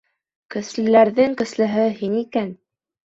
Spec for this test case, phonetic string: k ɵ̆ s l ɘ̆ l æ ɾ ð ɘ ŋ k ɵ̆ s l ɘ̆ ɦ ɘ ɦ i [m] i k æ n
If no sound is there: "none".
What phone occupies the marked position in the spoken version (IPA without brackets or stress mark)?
n